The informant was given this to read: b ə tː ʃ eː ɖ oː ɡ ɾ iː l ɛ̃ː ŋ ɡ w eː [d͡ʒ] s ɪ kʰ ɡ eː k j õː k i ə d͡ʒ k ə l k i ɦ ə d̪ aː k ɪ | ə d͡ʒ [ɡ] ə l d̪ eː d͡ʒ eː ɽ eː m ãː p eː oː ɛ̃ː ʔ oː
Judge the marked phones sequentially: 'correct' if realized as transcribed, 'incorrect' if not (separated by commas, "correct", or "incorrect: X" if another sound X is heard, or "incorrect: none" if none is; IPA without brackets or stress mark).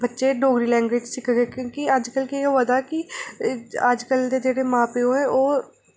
correct, incorrect: k